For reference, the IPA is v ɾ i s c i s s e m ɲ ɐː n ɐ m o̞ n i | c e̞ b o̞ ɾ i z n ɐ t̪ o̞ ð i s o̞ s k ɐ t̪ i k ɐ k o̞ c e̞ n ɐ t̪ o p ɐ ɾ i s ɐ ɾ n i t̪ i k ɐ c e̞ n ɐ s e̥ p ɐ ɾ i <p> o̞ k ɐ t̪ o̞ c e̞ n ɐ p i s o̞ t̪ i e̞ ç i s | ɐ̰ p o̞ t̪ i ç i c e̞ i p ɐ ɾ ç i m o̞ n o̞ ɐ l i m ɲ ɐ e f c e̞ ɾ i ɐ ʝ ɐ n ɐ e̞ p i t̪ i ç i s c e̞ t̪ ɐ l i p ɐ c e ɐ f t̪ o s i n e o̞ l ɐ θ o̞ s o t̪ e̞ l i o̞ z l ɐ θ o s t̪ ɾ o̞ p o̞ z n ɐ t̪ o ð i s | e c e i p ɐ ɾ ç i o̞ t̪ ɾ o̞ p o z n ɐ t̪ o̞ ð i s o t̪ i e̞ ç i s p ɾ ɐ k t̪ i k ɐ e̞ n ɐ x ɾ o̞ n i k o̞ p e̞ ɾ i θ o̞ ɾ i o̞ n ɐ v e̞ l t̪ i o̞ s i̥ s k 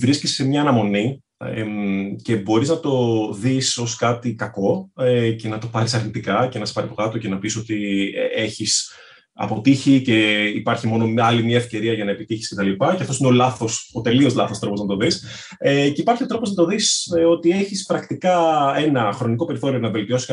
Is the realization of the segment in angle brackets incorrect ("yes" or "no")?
no